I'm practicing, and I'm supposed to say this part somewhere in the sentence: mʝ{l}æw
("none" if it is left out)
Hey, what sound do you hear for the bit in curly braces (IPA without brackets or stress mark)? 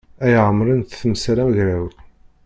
ɾ